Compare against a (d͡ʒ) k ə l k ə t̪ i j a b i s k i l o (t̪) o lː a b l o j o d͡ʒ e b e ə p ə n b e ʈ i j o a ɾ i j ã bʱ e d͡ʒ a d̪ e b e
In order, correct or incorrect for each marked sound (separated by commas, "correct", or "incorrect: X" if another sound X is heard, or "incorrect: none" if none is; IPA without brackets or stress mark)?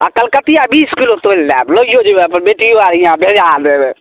incorrect: none, correct